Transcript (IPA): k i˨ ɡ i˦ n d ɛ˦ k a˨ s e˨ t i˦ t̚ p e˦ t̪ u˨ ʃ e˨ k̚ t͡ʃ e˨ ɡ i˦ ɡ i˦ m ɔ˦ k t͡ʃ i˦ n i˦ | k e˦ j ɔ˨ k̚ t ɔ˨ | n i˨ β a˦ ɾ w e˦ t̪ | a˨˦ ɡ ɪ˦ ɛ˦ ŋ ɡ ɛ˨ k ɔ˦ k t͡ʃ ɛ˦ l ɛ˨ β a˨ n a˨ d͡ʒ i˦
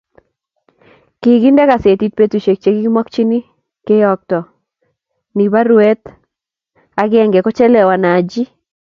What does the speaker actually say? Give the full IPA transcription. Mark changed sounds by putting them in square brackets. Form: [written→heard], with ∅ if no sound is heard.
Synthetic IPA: k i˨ ɡ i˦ n d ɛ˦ k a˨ s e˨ t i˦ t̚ p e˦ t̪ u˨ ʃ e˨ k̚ t͡ʃ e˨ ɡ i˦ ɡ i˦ m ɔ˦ k t͡ʃ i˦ n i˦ | k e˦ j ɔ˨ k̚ t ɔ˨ | n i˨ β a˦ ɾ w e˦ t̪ | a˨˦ ɡ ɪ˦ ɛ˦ ŋ ɡ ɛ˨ k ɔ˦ [k→∅] t͡ʃ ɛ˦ l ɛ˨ [β→w] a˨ n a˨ d͡ʒ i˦

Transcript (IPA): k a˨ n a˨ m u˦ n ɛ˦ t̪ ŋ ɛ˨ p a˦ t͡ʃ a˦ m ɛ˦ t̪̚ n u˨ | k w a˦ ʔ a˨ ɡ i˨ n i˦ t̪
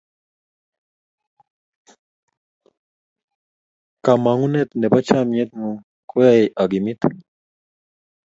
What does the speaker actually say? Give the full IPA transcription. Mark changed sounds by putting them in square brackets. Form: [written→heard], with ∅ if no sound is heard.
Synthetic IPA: k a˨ [n→m] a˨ [m→ŋ] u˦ n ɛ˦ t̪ [ŋ→n] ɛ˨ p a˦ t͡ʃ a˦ m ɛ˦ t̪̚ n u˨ | k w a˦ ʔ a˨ ɡ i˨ [n→m] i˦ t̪

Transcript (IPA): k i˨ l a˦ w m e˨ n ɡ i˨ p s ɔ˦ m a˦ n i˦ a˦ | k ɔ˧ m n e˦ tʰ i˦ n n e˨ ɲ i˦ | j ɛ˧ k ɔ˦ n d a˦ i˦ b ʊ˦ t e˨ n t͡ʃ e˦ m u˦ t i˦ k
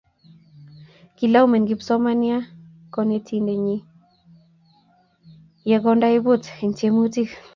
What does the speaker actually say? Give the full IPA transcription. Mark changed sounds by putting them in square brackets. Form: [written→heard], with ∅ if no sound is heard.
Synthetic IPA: k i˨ l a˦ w m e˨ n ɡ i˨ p s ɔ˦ m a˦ n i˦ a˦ | k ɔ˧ [m→∅] n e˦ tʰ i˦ n [n→d] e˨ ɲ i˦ | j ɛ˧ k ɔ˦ n d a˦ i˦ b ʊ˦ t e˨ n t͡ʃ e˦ m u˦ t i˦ k

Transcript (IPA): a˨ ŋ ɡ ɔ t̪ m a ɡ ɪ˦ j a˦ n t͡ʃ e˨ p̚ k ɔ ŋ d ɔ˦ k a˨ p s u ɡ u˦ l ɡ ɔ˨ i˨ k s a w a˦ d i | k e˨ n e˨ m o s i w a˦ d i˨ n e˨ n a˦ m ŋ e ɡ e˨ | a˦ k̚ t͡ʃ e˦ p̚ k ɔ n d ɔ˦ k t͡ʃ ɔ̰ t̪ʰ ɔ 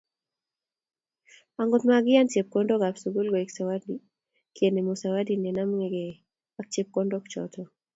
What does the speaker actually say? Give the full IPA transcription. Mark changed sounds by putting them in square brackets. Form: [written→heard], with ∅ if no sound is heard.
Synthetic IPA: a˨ ŋ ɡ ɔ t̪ m a ɡ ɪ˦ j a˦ n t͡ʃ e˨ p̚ k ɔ [ŋ→n] d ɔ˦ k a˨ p s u ɡ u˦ l ɡ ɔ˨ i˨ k s a w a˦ d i | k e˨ n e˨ m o s [i→a] w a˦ d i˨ n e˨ n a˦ m ŋ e ɡ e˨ | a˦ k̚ t͡ʃ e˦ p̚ k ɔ n d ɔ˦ k t͡ʃ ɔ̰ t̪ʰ ɔ

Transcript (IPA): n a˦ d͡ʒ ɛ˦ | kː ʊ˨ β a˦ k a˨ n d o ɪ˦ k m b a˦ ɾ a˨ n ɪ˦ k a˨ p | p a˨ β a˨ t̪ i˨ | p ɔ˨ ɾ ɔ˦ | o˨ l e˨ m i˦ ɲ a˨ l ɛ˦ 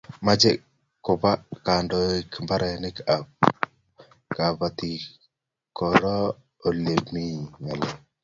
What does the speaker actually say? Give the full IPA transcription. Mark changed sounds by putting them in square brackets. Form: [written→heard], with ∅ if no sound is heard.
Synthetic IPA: [n→m] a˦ d͡ʒ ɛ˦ | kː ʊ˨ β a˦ k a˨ n d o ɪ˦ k m b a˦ ɾ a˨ n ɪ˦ k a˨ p | [p→k] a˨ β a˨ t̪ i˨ | [p→k] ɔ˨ ɾ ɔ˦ | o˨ l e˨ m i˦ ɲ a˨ l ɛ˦

